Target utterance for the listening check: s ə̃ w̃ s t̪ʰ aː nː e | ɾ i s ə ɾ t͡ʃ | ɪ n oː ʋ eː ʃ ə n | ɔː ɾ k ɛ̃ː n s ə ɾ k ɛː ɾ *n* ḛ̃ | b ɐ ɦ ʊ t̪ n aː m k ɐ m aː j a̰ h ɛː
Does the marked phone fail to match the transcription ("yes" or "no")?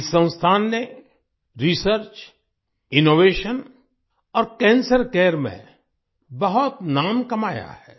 yes